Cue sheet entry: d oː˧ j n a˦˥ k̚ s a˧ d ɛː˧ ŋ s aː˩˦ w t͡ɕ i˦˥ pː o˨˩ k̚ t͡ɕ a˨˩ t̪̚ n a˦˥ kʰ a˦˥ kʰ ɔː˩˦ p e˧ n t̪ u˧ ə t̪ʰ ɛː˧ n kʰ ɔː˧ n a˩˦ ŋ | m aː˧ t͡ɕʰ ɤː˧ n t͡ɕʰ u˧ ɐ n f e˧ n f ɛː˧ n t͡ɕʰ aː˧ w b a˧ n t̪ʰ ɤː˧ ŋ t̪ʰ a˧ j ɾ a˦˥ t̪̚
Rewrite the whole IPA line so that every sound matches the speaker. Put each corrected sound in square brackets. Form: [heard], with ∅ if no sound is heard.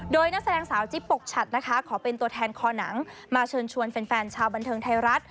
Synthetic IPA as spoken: d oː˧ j n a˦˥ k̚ s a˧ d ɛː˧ ŋ s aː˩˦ w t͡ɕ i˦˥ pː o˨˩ k̚ [t͡ɕʰ] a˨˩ t̪̚ n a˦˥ kʰ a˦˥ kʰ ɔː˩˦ p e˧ n t̪ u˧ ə t̪ʰ ɛː˧ n kʰ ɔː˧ n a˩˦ ŋ | m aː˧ t͡ɕʰ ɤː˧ n t͡ɕʰ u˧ [ə] n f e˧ n f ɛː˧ n t͡ɕʰ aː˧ w b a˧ n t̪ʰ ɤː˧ ŋ t̪ʰ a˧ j ɾ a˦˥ t̪̚